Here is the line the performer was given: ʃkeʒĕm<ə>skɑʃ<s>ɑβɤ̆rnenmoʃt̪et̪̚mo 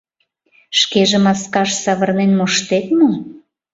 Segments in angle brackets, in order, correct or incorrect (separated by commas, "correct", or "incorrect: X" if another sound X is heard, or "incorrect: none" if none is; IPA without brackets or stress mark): incorrect: ɑ, correct